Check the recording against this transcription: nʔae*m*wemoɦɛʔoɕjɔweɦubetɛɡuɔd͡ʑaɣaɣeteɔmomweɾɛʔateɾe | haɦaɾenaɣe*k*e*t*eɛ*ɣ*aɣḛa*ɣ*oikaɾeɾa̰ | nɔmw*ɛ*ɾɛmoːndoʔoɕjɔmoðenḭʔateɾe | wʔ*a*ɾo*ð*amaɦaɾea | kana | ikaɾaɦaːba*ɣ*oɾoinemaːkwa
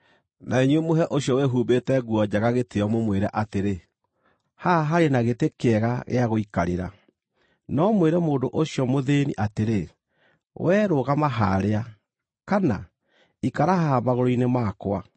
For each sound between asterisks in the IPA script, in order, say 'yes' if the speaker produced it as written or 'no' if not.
no, no, no, yes, yes, no, no, no, yes

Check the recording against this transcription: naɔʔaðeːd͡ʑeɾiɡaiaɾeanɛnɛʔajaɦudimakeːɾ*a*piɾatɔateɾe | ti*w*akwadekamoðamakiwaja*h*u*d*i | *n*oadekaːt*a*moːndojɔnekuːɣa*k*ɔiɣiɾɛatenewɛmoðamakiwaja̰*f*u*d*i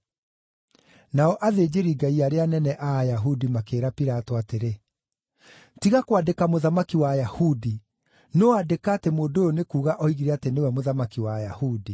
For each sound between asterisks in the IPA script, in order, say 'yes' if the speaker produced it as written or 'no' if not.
yes, no, yes, yes, yes, no, no, no, yes

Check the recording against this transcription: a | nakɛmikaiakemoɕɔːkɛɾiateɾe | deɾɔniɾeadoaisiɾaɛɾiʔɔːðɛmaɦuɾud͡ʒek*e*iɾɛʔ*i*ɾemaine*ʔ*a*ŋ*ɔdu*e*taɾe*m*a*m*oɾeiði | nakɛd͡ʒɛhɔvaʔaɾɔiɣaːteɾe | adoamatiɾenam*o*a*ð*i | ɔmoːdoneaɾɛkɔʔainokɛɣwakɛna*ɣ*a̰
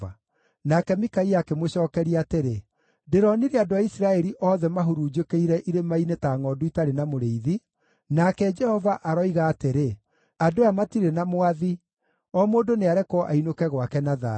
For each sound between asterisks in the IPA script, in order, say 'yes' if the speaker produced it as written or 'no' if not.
yes, yes, no, yes, no, no, yes, yes, yes, no

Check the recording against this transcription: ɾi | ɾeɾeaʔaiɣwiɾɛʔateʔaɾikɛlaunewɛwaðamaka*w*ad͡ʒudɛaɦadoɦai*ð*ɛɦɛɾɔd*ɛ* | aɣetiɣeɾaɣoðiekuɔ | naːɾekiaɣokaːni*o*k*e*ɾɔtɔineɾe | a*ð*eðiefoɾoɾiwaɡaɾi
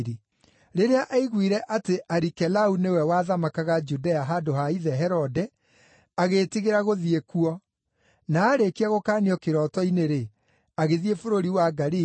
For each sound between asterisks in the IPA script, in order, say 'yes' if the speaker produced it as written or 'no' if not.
no, yes, yes, no, yes, no

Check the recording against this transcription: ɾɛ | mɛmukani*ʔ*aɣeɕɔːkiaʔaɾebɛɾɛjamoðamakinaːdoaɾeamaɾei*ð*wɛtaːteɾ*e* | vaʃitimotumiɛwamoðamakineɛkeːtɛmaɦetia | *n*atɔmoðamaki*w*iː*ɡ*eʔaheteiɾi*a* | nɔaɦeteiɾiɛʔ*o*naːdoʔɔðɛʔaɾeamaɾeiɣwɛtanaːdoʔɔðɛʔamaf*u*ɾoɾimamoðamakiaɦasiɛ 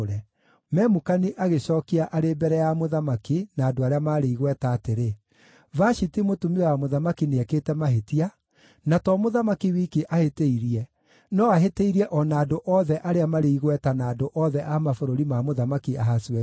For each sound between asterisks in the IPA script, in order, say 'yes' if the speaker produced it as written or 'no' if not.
yes, no, yes, yes, yes, no, no, no, no

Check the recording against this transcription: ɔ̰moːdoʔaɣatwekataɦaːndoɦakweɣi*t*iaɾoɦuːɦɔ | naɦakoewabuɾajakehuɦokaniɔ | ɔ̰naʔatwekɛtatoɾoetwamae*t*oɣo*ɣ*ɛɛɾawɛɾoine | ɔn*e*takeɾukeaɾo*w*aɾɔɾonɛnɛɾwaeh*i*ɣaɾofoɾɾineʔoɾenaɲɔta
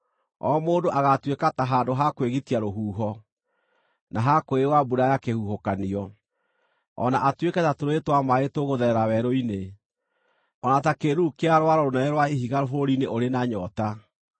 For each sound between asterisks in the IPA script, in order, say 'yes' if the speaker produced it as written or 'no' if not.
yes, yes, no, no, yes, yes

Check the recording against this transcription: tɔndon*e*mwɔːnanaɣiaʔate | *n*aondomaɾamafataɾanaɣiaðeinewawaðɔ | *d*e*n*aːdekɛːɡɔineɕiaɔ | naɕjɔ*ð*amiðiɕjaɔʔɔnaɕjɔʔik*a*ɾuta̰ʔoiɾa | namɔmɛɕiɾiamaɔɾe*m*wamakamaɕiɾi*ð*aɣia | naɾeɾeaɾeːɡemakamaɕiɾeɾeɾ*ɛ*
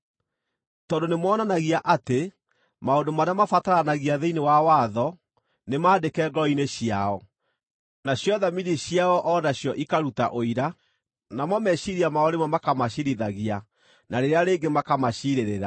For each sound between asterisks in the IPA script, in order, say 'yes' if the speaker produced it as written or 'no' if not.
yes, no, no, no, yes, yes, yes, yes, no

